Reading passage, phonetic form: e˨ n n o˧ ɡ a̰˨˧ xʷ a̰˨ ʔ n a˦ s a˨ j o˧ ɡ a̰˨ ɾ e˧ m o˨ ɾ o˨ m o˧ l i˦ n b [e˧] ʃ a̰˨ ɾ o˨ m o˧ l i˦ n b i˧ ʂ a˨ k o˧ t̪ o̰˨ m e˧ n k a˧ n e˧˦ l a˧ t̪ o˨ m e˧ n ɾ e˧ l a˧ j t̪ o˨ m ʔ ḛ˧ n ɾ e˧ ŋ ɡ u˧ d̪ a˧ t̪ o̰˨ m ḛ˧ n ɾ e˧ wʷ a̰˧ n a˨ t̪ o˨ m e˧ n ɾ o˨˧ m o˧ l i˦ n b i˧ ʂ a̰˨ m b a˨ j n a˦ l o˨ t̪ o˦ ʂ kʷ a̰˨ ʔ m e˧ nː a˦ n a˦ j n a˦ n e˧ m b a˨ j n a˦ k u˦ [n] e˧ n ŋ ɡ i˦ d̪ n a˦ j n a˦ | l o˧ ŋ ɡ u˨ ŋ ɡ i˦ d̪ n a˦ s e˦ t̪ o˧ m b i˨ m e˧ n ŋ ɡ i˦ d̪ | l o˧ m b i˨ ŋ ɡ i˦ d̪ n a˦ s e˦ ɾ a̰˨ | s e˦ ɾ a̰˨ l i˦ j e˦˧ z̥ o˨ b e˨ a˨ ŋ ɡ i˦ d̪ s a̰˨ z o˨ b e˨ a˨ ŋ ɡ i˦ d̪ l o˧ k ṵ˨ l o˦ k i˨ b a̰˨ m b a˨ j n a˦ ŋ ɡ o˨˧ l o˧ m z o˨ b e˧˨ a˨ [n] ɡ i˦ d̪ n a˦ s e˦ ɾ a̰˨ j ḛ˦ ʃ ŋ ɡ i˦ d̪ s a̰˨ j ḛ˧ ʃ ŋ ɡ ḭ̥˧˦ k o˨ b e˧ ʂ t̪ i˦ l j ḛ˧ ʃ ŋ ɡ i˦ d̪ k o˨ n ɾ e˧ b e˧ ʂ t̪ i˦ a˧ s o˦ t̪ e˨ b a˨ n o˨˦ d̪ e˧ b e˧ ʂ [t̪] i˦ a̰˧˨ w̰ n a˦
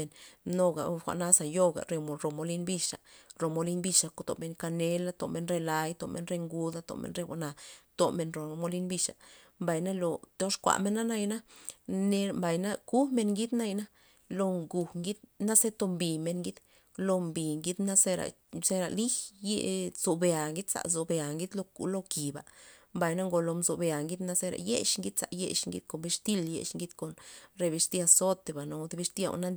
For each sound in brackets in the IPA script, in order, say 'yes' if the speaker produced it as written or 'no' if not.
no, no, no, yes

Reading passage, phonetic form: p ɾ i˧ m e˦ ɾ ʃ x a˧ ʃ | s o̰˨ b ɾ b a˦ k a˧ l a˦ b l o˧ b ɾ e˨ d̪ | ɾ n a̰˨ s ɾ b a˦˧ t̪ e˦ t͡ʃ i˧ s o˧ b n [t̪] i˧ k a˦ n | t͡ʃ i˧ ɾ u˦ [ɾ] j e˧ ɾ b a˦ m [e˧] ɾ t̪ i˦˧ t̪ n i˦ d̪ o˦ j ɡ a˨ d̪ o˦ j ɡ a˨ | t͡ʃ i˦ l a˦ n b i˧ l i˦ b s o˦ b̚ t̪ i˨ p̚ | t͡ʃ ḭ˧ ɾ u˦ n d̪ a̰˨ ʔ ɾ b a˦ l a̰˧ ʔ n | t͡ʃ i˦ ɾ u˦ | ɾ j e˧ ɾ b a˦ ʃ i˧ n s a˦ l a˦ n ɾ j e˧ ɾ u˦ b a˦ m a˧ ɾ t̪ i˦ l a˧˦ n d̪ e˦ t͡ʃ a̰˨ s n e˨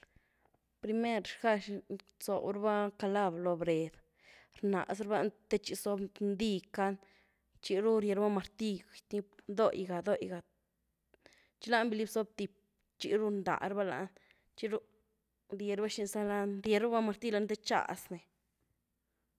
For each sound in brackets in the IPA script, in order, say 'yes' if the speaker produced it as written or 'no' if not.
no, yes, no

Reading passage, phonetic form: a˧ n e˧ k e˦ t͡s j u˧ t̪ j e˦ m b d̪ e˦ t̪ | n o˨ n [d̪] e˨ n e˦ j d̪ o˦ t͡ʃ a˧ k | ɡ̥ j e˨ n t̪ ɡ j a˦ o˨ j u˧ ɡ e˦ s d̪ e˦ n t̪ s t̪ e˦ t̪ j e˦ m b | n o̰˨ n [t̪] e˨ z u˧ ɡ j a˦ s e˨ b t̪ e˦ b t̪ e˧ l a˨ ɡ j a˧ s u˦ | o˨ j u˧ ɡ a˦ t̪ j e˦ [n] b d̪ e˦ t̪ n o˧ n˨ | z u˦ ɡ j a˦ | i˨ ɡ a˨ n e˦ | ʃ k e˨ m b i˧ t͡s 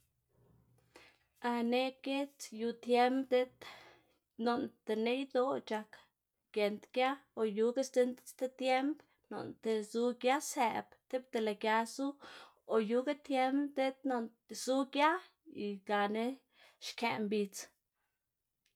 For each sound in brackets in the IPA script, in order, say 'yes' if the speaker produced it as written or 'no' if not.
no, yes, no

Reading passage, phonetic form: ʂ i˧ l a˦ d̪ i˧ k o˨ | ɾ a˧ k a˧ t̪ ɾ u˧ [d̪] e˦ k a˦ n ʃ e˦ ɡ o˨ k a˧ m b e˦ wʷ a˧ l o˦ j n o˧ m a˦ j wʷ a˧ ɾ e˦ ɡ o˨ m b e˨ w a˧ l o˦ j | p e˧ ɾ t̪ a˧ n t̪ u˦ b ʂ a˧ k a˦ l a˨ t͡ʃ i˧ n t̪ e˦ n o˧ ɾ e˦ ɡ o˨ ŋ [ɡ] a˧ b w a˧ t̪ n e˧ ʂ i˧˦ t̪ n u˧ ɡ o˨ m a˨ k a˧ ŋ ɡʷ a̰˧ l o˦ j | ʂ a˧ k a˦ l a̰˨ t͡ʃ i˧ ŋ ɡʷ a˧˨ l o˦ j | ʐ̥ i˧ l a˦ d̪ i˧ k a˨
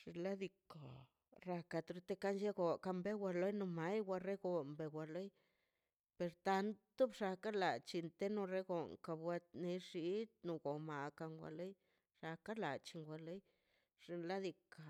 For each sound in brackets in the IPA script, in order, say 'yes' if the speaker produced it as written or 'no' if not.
no, no

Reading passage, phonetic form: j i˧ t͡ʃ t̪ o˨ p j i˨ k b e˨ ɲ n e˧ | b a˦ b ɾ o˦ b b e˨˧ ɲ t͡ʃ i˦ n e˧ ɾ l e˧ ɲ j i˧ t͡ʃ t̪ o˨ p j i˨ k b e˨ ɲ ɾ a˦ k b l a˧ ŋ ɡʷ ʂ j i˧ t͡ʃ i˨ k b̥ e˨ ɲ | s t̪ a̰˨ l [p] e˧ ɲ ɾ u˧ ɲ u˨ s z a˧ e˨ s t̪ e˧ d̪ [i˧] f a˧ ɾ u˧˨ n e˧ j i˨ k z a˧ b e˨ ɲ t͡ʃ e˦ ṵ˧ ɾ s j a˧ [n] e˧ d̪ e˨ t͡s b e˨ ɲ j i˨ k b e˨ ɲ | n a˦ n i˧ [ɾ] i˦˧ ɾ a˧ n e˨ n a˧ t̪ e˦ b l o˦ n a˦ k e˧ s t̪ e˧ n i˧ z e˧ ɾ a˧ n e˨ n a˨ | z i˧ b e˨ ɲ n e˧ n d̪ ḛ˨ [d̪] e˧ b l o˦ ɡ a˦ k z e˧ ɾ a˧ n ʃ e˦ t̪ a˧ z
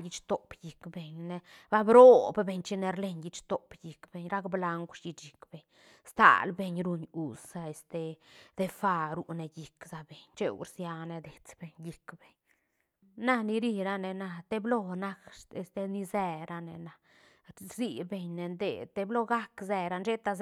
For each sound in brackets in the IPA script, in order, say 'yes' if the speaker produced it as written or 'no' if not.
no, no, yes, yes, no

